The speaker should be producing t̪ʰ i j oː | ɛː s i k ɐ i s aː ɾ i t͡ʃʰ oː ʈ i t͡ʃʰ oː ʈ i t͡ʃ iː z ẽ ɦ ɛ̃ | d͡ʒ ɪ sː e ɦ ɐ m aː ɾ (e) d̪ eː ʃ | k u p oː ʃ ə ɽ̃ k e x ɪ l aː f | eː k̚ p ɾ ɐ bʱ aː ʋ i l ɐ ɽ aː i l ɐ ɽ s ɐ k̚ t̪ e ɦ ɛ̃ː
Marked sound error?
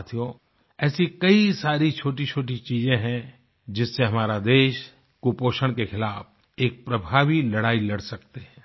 yes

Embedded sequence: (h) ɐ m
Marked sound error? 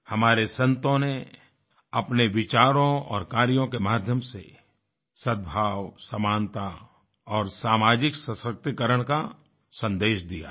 no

